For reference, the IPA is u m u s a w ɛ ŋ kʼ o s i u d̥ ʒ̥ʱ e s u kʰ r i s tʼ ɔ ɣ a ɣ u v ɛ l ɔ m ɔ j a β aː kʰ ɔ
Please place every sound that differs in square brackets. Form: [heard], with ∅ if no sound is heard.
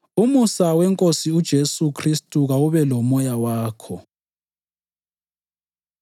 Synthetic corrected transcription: u m u s a w ɛ ŋ kʼ o s i u d̥ ʒ̥ʱ e s u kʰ r i s tʼ [u] ɣ a [w] u [β] ɛ l ɔ m ɔ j a [w] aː kʰ ɔ